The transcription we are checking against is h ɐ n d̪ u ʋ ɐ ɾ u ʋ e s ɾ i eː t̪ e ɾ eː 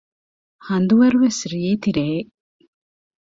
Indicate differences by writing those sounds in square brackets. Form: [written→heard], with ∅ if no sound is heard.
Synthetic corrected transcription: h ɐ n d̪ u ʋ ɐ ɾ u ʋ e s ɾ i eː t̪ [e→i] ɾ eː